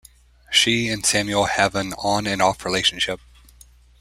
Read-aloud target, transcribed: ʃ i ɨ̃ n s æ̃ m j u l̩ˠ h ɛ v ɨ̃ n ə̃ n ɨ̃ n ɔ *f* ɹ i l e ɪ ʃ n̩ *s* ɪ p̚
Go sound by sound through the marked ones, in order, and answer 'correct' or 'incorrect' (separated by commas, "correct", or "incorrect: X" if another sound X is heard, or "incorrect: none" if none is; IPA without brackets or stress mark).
correct, incorrect: ʃ